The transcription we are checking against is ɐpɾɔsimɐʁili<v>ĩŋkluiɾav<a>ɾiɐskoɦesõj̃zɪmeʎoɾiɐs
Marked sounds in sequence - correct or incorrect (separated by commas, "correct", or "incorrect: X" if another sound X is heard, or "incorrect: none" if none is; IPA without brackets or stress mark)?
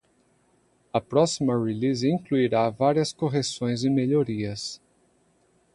incorrect: z, correct